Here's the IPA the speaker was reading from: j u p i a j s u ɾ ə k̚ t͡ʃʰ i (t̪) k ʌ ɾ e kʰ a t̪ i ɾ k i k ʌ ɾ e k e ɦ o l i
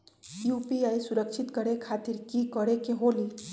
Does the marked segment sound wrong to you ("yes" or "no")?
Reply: no